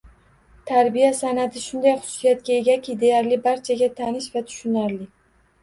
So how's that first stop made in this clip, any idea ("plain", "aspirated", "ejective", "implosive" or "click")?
aspirated